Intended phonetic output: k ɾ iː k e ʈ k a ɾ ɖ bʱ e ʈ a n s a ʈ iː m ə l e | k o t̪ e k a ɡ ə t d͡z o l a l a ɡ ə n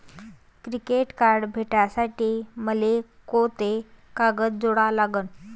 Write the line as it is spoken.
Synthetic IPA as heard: k ɾ i k e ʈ k a ɾ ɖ bʱ e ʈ a s a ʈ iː m ə l e | k o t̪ e k a ɡ ə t d͡z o ɽ a l a ɡ ə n